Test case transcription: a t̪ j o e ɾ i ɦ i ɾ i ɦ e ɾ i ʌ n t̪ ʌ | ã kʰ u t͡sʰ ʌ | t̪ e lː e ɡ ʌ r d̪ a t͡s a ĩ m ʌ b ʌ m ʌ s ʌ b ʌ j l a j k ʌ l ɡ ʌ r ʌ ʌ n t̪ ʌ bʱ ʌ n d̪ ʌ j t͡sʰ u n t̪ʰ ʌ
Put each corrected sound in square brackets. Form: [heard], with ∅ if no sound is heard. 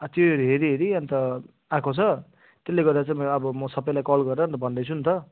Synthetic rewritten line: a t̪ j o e ɾ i ɦ [e] ɾ i ɦ e ɾ i ʌ n t̪ ʌ | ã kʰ [o] t͡sʰ ʌ | t̪ e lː e ɡ ʌ r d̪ a t͡s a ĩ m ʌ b ʌ m ʌ s ʌ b ʌ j l a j k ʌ l ɡ ʌ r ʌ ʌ n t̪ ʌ bʱ ʌ n d̪ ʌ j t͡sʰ u n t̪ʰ ʌ